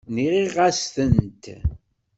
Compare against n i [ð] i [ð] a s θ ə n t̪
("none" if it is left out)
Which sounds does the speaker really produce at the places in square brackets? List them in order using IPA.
ʁ, ʁ

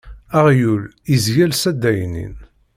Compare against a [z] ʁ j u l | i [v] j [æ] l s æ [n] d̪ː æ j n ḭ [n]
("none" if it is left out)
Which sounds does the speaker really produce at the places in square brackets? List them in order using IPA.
none, z, æ, none, n

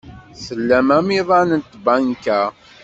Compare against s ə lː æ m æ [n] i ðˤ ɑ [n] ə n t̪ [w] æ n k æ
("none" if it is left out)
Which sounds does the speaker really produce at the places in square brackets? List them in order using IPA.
m, n, b

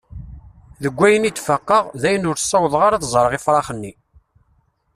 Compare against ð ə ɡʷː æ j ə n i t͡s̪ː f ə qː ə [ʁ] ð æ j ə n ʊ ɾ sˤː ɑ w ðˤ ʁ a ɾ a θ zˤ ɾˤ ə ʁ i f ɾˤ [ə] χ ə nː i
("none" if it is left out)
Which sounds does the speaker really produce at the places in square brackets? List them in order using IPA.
ʁ, ɑ

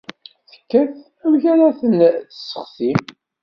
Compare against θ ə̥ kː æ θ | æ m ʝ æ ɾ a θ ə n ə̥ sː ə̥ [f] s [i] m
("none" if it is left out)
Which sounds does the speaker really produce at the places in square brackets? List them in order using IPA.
χ, i

